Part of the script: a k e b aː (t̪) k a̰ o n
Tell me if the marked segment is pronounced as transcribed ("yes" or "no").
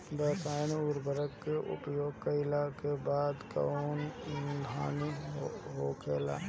no